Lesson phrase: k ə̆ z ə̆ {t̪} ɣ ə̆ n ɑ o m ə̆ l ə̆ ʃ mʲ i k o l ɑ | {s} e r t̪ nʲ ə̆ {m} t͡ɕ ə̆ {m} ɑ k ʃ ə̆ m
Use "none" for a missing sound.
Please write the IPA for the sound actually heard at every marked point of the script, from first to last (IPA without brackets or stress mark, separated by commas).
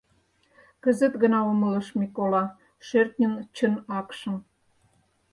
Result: t̪, ʃ, n, n